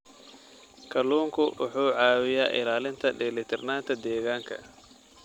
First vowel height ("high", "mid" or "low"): low